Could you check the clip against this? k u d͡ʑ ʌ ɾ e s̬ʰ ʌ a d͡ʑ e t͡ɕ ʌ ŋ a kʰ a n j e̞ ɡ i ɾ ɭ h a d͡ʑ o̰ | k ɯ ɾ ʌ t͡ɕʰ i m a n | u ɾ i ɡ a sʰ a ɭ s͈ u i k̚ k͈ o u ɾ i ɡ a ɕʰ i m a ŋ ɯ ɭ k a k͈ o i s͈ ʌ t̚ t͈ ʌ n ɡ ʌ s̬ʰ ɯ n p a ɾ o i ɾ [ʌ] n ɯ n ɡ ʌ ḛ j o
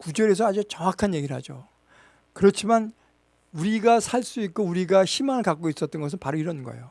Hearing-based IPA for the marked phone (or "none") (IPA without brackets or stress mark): ʌ